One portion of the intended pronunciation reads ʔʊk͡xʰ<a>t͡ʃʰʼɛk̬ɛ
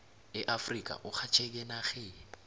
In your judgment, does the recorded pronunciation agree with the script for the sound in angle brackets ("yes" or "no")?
yes